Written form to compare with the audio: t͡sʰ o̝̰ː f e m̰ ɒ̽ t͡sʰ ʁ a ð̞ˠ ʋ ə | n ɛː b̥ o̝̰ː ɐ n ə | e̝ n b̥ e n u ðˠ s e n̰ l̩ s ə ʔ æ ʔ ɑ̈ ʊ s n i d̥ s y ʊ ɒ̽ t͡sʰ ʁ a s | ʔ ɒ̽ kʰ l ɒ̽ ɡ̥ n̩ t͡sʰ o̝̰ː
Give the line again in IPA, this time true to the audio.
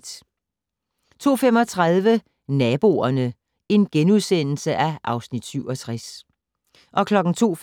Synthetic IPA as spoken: t͡sʰ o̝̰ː f e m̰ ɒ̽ t͡sʰ ʁ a ð̞ˠ ʋ ə | n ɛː b̥ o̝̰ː ɐ n ə | e̝ n ɡ̥ e n u ðˠ s e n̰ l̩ s ə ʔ æ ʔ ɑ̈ ʊ s n i d̥ s y ʊ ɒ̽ t͡sʰ ʁ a s | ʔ ɒ̽ kʰ l ɒ̽ ɡ̥ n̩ t͡sʰ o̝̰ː